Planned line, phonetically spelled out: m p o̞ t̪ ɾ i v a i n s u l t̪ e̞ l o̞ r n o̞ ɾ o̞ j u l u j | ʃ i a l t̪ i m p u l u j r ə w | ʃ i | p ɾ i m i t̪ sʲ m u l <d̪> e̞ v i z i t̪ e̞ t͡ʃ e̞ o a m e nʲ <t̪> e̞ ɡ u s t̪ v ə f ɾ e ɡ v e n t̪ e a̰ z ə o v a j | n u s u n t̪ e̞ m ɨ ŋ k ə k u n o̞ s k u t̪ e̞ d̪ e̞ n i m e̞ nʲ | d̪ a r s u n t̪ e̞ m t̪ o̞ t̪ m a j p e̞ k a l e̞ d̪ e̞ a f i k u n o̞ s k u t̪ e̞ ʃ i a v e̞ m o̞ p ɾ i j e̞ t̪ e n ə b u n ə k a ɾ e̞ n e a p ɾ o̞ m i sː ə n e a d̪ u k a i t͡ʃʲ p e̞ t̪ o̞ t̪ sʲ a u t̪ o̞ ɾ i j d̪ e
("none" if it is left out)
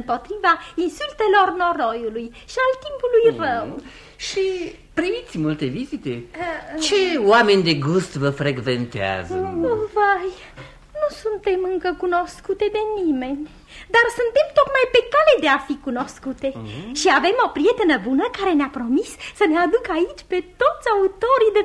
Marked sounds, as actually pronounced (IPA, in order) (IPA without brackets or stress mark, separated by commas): t̪, d̪